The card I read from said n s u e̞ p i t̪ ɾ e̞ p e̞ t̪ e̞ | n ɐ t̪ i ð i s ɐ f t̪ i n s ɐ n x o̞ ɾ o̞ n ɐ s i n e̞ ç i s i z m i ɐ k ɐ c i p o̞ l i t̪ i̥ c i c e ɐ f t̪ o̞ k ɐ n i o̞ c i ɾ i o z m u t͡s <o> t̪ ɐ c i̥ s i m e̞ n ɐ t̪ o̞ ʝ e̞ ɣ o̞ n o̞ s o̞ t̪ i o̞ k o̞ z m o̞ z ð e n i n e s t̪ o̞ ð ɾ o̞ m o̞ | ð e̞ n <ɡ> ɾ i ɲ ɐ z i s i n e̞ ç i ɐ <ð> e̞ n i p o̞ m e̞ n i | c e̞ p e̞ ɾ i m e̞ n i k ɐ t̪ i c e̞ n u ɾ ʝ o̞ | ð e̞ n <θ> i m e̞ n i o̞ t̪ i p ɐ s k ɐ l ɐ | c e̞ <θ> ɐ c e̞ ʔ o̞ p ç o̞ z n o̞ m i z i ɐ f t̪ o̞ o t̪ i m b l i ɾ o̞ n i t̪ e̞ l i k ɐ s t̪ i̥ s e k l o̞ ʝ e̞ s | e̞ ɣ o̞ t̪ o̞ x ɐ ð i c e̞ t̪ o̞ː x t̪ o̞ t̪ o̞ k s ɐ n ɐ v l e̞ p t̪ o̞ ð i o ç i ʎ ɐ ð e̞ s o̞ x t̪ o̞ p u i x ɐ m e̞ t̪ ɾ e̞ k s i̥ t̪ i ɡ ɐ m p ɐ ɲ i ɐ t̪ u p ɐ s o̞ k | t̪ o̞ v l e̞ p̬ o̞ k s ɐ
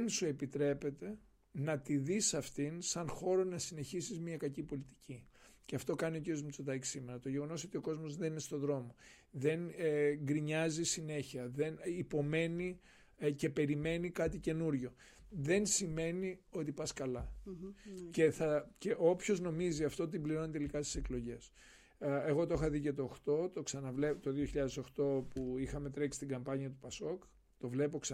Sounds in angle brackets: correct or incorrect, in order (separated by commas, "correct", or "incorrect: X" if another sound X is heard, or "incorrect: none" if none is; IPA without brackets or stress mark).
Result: correct, correct, correct, incorrect: s, correct